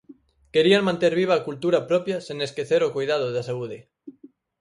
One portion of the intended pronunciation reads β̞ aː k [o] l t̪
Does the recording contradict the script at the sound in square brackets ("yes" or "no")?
yes